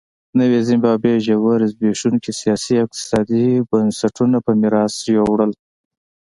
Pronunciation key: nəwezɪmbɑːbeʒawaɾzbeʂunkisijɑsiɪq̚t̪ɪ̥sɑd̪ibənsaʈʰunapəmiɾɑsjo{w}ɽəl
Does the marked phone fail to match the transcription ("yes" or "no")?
no